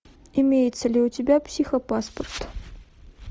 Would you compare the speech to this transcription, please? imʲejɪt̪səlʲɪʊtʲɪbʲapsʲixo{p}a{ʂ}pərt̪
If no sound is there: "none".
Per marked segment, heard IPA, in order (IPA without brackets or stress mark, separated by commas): p, s